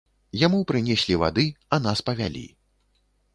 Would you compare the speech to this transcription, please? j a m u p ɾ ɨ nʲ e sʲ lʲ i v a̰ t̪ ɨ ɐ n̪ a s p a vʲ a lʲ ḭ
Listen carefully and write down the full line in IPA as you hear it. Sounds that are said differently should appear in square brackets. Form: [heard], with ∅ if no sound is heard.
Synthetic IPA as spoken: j a m u p ɾ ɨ nʲ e sʲ lʲ i v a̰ [d̪] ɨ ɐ n̪ a s p [ɐ] vʲ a lʲ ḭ